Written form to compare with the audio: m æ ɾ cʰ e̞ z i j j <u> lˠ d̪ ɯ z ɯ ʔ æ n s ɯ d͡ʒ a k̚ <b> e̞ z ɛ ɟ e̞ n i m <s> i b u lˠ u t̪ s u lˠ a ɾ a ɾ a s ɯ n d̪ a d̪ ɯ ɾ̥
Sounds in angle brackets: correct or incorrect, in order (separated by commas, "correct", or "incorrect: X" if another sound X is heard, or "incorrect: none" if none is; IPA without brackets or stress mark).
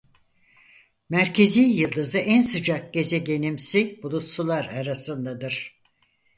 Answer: incorrect: ɯ, incorrect: ɟ, correct